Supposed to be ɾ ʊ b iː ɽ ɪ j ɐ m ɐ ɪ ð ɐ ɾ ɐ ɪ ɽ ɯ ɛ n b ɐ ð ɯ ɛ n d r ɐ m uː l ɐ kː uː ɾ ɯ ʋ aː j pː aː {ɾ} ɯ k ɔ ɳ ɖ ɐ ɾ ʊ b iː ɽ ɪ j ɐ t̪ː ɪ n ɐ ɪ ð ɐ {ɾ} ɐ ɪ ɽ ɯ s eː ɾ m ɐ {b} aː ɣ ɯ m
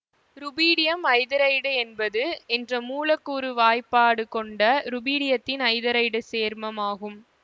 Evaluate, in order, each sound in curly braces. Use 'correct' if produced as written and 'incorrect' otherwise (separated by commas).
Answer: incorrect, correct, incorrect